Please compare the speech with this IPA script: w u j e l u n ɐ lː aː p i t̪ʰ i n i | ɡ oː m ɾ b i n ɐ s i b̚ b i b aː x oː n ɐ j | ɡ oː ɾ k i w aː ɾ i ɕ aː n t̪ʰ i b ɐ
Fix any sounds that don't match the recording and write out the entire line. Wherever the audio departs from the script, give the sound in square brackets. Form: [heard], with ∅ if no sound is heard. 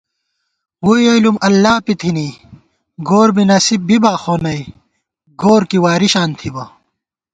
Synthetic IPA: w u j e l u [m] ɐ lː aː p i t̪ʰ i n i | ɡ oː [∅] ɾ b i n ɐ s i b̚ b i b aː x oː n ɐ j | ɡ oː ɾ k i w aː ɾ i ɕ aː n t̪ʰ i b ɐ